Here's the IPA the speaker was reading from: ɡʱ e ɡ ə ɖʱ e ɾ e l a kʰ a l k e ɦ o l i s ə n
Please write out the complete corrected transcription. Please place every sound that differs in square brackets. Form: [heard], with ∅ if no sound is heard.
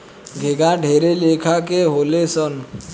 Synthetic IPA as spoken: ɡʱ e ɡ [a] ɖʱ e ɾ e l [e] kʰ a [∅] k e ɦ o l [e] s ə n